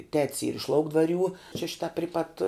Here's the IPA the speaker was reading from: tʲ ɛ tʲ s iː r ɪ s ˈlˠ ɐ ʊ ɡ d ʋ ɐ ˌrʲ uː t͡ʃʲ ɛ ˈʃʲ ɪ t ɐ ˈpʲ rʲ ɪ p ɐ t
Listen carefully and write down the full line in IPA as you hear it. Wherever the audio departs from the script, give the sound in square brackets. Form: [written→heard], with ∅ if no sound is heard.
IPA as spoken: tʲ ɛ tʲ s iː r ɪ [s→ʃ] ˈlˠ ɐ ʊ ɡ d ʋ ɐ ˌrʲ uː t͡ʃʲ ɛ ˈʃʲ ɪ t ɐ ˈpʲ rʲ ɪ p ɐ t